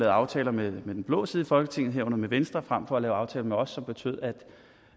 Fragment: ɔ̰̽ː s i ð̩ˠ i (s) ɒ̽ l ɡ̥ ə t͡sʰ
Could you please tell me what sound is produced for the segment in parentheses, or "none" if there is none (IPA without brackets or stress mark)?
f